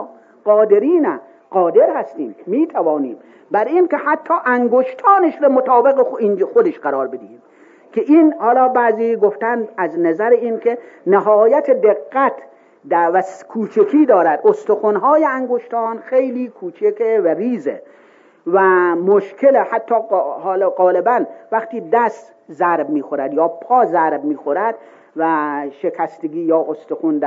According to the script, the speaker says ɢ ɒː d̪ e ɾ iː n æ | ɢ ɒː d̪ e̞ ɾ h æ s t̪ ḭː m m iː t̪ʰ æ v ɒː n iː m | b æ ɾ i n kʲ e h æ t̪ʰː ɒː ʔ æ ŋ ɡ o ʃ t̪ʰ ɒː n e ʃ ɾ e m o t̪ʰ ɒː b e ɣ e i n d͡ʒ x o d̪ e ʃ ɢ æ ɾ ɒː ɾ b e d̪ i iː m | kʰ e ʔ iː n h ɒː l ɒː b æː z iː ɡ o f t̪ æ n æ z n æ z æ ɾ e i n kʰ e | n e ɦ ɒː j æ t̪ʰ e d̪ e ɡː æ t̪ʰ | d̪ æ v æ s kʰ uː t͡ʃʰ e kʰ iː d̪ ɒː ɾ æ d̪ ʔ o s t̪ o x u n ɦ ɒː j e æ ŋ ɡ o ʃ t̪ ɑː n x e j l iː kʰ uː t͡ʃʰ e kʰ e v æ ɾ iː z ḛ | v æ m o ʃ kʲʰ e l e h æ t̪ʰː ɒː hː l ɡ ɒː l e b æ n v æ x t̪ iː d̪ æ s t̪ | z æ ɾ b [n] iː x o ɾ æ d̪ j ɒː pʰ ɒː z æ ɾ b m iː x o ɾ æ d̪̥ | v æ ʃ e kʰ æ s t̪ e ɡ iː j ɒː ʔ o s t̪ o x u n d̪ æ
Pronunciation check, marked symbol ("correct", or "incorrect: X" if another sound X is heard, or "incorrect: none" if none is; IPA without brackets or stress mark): incorrect: m